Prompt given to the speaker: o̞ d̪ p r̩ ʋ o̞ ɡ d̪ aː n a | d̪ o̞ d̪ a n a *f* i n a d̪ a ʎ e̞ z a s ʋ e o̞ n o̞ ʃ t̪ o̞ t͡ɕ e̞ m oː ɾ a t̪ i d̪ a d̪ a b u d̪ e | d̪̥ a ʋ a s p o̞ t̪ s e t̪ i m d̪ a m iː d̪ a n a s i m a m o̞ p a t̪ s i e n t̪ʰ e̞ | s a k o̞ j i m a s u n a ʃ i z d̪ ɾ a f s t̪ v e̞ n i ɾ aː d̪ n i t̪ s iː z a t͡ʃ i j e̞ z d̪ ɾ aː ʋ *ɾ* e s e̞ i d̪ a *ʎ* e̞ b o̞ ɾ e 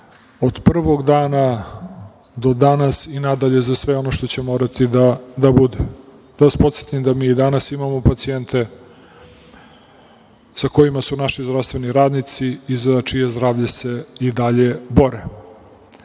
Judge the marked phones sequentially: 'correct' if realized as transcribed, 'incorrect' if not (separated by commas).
incorrect, incorrect, correct